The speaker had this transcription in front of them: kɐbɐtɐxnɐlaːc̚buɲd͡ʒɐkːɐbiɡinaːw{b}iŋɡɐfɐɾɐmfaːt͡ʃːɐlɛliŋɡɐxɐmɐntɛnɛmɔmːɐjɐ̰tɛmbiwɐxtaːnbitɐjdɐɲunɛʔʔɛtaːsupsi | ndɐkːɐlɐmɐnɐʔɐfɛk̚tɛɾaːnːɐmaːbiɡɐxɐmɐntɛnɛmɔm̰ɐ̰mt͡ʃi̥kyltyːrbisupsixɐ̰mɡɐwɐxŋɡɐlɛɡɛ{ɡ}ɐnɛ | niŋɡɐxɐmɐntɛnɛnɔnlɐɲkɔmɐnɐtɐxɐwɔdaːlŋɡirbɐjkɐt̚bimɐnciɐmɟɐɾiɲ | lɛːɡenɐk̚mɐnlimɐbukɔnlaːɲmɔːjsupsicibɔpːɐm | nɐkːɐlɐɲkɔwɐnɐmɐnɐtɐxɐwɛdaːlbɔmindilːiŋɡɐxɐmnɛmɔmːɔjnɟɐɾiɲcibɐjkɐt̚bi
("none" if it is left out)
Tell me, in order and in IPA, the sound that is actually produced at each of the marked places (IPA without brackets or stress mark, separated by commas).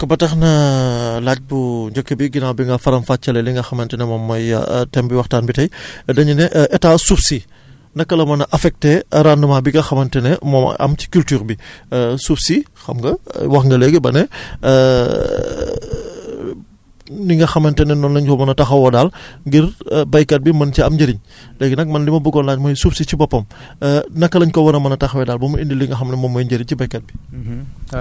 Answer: b, b